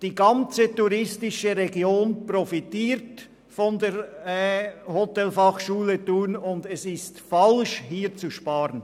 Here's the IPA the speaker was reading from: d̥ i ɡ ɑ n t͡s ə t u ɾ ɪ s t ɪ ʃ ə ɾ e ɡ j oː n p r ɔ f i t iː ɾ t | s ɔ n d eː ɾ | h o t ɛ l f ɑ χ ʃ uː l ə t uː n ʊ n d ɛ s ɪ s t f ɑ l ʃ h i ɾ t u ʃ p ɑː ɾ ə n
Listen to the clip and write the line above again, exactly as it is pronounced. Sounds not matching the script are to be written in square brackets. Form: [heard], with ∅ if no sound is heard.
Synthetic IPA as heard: d̥ [iː] ɡ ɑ n t͡s ə t u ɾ ɪ s t ɪ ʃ ə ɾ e ɡ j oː n p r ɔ f i t iː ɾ t | [f] ɔ n d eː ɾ | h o t ɛ l f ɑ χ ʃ uː l ə t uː n ʊ n d ɛ s ɪ s t f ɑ l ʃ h [iː] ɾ [t͡s] u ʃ p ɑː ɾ ə n